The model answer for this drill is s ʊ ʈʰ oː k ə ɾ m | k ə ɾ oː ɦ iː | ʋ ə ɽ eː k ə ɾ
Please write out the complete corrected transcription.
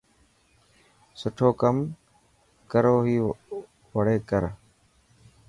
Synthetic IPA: s ʊ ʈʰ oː k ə m | k ə ɾ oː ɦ iː | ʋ ə ɽ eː k ə ɾ